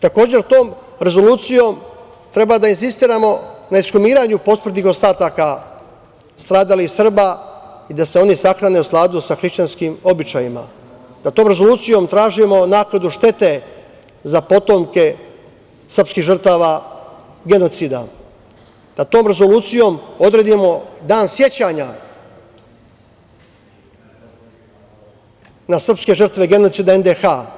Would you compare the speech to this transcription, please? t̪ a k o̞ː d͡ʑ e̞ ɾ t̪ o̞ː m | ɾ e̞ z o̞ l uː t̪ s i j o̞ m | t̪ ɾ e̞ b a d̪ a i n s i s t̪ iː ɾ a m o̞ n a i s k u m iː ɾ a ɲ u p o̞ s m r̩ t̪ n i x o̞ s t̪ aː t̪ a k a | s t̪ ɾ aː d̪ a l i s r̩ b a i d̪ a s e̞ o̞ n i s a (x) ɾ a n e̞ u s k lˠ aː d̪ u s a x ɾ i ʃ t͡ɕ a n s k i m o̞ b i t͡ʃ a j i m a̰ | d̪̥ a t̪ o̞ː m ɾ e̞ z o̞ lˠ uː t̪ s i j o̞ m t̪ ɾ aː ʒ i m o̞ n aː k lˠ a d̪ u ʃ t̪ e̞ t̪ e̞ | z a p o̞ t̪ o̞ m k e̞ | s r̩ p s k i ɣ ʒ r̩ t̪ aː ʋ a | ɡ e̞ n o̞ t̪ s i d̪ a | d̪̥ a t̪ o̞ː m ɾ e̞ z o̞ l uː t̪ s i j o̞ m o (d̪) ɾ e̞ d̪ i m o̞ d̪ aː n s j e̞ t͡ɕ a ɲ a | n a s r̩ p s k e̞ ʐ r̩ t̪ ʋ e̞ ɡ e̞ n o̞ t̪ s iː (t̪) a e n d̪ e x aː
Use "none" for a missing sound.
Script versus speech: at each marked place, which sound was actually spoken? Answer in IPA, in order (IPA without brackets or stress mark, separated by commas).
x, d̪, d̪